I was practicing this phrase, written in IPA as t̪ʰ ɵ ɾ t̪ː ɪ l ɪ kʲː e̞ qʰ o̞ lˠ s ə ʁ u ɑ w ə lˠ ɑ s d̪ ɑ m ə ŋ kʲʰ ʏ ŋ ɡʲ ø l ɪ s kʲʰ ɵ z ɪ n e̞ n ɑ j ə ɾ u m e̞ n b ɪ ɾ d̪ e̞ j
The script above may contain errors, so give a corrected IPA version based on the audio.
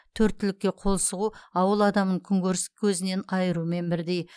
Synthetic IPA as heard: t̪ʰ ɵ ɾ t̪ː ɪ l ɪ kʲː e̞ qʰ o̞ lˠ s ə ʁ u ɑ w ə lˠ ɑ d̪ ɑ m ə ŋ kʲʰ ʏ ŋ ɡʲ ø ɾ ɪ s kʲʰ ɵ z ɪ n e̞ n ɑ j ə ɾ u m e̞ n b ɪ ɾ d̪ e̞ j